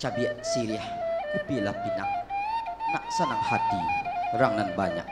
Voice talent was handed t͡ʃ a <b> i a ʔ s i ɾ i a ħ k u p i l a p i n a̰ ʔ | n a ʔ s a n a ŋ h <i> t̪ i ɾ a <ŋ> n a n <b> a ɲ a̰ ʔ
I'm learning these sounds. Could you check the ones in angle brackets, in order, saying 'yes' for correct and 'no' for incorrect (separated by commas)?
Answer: yes, no, yes, yes